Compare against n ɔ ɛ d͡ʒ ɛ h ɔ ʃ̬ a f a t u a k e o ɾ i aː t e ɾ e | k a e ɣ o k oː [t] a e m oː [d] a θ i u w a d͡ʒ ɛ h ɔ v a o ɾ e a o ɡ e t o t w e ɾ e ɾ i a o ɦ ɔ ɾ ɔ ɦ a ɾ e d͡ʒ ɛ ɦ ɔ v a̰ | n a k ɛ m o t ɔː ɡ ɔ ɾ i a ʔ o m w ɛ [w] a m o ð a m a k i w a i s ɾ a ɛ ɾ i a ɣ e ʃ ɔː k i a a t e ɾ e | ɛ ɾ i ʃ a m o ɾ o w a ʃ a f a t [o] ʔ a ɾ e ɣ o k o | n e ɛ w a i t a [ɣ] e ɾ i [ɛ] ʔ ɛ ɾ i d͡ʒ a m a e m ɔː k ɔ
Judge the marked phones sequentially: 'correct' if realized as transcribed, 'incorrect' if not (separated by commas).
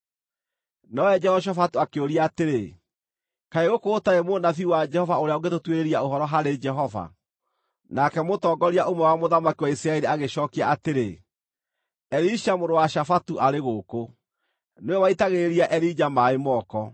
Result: correct, incorrect, correct, incorrect, correct, incorrect